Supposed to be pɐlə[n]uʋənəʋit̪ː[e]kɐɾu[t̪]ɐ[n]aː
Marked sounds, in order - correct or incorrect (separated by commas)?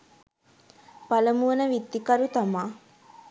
incorrect, incorrect, correct, incorrect